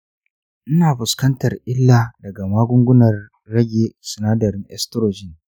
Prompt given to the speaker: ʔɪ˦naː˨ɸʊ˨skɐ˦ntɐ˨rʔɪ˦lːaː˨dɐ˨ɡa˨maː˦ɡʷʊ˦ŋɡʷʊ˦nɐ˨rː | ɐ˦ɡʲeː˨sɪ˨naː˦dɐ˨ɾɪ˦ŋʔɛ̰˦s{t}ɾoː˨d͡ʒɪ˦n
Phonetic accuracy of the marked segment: correct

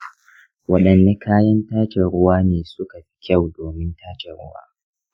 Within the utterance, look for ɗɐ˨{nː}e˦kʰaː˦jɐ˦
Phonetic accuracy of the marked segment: correct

